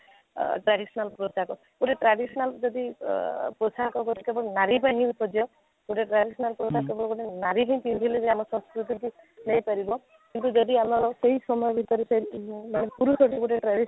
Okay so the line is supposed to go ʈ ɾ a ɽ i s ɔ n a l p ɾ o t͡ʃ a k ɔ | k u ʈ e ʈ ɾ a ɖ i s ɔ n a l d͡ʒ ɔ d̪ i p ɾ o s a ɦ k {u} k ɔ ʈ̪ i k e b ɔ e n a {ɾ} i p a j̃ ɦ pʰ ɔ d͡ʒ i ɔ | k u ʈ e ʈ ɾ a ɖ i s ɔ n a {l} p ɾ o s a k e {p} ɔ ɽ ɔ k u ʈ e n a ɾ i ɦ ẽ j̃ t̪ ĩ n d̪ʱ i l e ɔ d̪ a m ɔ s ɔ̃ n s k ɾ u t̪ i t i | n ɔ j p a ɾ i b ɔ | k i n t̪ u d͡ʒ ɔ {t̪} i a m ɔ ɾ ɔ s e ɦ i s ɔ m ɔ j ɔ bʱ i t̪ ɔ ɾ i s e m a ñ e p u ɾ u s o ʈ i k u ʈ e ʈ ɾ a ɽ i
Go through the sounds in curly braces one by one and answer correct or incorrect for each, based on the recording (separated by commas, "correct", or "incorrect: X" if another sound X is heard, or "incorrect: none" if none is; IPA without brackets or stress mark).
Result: incorrect: ɔ, correct, correct, incorrect: b, incorrect: d̪